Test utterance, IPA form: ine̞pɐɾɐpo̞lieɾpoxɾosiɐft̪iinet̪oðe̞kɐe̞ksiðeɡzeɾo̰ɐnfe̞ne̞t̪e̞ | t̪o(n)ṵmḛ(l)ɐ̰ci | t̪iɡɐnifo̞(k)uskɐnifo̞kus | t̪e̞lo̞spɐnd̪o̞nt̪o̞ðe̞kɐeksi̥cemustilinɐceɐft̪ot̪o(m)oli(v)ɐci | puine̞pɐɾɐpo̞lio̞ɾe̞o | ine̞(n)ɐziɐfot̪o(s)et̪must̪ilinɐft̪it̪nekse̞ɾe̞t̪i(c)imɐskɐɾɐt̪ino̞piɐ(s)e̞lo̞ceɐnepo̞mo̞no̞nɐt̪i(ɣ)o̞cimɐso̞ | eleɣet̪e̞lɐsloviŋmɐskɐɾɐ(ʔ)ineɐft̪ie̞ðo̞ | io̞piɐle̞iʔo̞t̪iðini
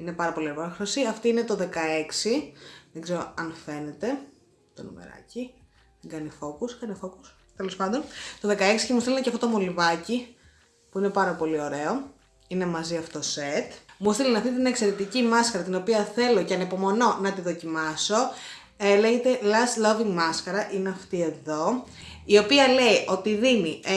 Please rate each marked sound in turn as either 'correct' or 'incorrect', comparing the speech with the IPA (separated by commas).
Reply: correct, incorrect, correct, correct, correct, incorrect, correct, correct, incorrect, incorrect, correct